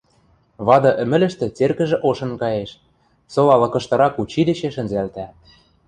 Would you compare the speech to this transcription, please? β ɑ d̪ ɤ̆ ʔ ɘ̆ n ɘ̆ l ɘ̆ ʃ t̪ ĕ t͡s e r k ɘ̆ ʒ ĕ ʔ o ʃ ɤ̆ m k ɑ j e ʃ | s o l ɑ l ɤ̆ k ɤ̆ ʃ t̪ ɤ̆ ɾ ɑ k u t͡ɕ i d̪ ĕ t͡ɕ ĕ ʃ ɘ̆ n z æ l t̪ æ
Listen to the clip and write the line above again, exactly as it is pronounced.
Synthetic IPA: β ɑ d̪ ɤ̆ ʔ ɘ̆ m ɘ̆ l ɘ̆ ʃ t̪ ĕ t͡s e r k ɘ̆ ʒ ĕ ʔ o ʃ ɤ̆ n k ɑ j e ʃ | s o l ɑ l ɤ̆ k ɤ̆ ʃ t̪ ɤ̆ ɾ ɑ k u t͡ɕ i d̪ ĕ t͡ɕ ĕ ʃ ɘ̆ n z æ l t̪ æ